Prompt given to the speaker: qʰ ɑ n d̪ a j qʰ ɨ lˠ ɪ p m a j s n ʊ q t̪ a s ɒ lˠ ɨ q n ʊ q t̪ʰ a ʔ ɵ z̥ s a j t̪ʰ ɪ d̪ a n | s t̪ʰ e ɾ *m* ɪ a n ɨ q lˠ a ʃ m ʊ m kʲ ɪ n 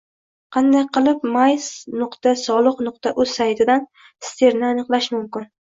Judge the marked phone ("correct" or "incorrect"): incorrect